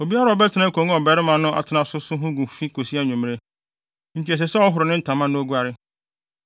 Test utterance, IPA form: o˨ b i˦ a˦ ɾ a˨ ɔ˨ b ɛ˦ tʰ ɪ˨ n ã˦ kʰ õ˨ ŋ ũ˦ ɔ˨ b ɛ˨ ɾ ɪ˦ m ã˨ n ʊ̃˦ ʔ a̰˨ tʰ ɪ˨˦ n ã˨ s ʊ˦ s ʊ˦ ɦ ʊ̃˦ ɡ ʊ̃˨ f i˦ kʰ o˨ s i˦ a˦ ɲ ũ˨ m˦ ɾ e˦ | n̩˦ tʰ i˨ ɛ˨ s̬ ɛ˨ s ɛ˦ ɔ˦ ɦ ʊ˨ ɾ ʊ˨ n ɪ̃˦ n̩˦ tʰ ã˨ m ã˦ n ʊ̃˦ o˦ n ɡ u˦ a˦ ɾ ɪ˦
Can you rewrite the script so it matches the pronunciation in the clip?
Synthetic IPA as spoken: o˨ b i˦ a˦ ɾ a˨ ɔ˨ b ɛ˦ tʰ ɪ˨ n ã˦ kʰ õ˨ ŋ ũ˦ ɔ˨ b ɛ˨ ɾ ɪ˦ m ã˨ n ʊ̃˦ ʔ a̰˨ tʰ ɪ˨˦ n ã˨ s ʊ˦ s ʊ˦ ɦ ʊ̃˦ ɡ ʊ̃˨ f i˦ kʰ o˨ s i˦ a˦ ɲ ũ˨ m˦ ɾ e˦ | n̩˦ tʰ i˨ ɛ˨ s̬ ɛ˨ s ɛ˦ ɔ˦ ɦ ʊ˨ ɾ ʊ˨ n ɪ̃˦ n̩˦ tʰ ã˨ m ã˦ n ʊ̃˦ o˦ ɡ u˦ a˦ ɾ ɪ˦